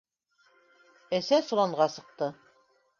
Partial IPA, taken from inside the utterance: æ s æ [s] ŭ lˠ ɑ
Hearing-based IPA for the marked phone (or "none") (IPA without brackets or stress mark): s